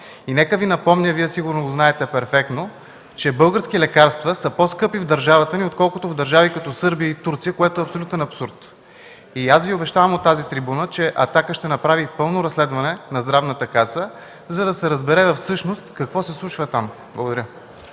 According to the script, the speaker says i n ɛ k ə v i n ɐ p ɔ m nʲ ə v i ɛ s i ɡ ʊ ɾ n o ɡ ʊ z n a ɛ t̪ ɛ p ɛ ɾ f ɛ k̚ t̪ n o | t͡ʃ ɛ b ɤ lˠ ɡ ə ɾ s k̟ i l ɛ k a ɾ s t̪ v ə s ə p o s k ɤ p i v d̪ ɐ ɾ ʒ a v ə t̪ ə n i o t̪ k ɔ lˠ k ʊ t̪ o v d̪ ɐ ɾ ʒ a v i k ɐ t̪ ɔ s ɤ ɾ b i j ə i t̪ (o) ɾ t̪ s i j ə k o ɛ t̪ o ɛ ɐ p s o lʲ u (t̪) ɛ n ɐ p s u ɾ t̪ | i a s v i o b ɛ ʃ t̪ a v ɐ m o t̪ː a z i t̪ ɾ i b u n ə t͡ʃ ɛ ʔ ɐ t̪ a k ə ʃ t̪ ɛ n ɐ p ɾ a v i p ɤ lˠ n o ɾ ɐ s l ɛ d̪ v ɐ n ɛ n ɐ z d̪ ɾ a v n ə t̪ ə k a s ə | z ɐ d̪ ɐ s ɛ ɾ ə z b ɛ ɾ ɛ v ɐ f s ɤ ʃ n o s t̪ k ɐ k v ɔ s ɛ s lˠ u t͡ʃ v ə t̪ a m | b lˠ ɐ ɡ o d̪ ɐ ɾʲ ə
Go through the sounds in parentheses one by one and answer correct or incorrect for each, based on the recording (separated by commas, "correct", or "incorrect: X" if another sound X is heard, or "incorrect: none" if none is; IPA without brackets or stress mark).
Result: incorrect: u, correct